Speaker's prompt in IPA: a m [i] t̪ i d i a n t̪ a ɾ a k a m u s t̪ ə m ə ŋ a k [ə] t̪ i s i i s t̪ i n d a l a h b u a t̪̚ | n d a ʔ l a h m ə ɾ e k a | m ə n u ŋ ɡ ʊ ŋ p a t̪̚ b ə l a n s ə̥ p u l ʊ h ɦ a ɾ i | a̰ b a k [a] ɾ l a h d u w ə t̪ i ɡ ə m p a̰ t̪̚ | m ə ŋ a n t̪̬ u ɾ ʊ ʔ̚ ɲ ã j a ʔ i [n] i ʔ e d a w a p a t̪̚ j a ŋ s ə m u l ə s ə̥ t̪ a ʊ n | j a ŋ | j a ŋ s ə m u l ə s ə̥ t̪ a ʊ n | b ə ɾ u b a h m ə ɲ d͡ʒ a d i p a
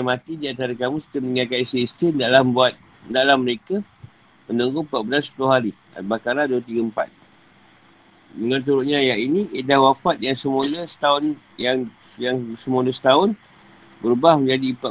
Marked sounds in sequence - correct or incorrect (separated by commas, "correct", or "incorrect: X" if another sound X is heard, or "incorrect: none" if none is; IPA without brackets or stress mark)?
incorrect: a, incorrect: a, correct, correct